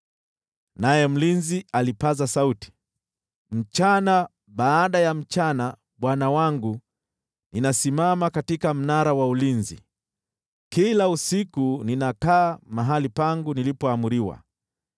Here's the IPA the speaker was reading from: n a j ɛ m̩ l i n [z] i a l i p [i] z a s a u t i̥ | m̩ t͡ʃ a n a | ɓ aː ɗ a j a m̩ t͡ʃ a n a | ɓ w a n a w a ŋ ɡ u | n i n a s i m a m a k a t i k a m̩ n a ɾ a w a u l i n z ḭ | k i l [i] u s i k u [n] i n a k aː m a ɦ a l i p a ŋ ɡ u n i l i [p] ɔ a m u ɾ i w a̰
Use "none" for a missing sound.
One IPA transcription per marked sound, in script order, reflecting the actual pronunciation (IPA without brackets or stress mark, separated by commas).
z, a, a, n, p